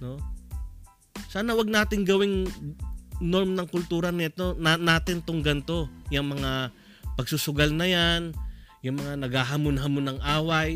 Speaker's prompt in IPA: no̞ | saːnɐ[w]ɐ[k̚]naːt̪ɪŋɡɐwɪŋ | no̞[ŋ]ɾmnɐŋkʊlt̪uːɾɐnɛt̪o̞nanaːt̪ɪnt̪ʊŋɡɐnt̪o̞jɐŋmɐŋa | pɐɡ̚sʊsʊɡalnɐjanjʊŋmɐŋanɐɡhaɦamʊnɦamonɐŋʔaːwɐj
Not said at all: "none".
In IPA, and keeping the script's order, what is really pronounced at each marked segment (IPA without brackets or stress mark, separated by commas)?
w, ɡ̚, none